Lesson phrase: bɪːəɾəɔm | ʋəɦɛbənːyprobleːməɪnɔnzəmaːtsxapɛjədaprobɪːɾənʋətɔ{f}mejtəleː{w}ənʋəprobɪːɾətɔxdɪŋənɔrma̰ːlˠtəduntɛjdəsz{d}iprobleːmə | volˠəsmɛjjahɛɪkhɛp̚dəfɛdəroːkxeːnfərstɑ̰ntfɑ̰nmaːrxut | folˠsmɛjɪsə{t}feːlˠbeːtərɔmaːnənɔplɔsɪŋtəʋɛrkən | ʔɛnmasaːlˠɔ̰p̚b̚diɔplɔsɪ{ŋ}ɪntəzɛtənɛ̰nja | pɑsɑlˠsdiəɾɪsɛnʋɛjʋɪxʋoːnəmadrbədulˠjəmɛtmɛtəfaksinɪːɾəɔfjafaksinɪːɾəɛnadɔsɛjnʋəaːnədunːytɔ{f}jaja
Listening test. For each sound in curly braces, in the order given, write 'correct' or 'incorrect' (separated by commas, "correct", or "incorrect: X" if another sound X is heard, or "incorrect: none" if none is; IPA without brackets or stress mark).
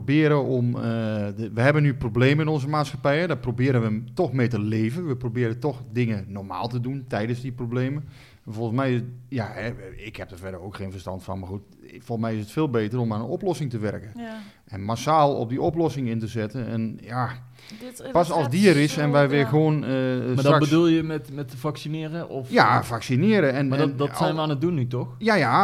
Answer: incorrect: x, incorrect: v, correct, correct, correct, incorrect: x